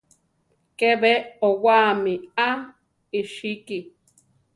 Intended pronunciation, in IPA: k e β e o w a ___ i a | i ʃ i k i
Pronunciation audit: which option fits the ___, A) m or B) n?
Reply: A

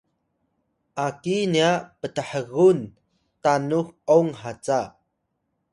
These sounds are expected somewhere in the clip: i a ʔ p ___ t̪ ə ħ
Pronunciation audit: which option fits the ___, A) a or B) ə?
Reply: B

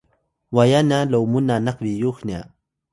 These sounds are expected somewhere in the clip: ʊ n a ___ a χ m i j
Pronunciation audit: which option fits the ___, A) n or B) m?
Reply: A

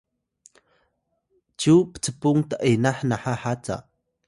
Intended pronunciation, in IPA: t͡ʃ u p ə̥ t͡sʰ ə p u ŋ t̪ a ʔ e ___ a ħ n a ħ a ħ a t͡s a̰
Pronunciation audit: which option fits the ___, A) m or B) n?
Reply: B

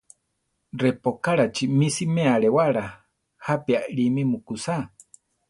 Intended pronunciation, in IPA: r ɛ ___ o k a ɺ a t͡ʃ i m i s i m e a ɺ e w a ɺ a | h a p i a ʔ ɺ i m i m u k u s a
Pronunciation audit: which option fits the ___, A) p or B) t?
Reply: A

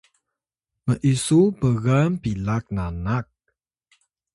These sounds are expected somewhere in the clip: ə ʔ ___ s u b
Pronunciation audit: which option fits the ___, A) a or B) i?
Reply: B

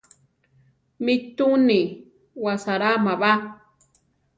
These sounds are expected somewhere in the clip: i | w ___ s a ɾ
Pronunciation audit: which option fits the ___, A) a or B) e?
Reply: A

